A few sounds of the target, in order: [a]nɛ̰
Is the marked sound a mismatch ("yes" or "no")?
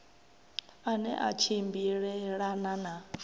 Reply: no